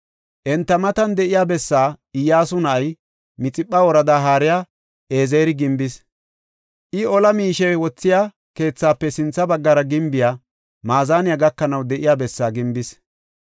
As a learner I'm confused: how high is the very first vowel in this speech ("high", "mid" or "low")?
mid